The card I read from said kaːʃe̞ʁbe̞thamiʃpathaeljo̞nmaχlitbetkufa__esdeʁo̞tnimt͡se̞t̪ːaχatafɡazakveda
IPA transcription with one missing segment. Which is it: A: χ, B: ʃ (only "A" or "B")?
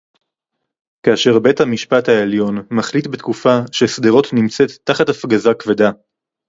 B